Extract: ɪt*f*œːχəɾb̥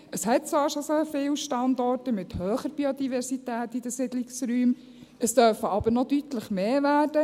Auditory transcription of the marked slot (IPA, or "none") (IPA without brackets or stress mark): h